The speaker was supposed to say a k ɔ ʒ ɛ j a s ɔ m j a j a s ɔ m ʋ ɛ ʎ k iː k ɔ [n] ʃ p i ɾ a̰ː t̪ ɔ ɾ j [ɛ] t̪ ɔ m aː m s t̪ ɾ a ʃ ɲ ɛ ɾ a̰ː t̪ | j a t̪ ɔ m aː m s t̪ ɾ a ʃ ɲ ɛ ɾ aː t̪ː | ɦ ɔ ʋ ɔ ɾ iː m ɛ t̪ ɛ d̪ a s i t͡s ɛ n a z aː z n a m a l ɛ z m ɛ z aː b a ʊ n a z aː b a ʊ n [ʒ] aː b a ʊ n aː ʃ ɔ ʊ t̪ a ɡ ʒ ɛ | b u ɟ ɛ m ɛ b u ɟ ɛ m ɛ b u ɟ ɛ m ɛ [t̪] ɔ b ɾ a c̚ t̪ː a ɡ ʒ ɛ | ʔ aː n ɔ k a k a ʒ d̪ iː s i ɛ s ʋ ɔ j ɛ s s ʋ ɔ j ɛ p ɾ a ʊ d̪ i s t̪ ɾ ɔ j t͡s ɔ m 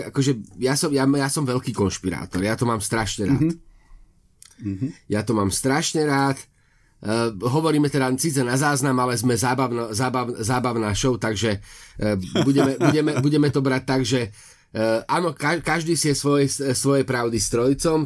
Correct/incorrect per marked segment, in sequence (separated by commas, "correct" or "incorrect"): correct, incorrect, incorrect, correct